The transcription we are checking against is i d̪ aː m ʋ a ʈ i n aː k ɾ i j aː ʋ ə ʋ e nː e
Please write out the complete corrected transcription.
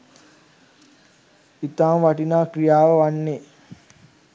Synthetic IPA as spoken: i t̪ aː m ʋ a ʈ i n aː k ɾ i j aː ʋ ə ʋ a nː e

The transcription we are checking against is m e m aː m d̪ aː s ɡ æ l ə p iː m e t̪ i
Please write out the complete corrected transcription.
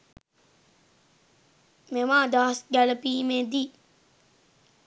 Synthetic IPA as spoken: m e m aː d̪ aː s ɡ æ l ə p iː m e d̪ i

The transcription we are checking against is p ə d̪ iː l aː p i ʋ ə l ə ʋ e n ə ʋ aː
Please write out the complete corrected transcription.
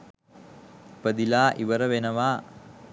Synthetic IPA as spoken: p ə d̪ i l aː ʔ i ʋ ə ɾ ə ʋ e n ə ʋ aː

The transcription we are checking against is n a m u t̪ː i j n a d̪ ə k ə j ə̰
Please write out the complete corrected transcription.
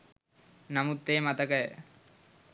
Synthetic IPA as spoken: n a m u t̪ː e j m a t̪ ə k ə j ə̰

